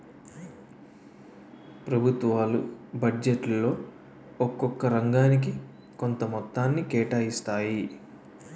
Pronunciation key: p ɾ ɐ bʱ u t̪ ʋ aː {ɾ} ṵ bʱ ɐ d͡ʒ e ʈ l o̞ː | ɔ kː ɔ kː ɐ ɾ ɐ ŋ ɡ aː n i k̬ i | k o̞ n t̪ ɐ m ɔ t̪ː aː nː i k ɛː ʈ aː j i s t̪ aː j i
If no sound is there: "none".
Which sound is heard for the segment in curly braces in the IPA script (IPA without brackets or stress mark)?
l